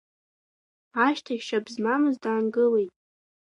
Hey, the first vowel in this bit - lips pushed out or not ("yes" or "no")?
no